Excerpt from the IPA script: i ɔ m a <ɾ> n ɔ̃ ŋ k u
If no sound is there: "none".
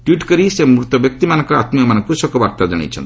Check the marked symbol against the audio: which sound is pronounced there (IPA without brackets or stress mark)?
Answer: none